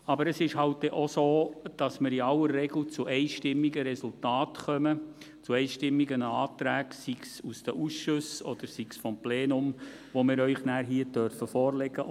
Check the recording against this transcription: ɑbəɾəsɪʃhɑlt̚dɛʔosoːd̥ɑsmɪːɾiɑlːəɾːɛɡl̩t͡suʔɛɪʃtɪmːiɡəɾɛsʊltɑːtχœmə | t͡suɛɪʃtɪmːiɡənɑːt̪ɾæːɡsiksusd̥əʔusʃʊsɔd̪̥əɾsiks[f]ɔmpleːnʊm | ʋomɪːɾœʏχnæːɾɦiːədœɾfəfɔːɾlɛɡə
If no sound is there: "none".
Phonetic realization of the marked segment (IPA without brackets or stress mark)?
f